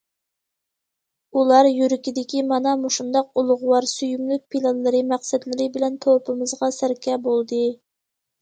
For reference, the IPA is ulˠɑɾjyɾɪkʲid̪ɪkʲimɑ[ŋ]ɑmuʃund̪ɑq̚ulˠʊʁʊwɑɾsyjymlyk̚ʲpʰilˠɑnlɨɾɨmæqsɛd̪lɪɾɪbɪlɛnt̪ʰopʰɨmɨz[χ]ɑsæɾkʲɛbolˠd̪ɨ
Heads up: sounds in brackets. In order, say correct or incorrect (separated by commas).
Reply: incorrect, incorrect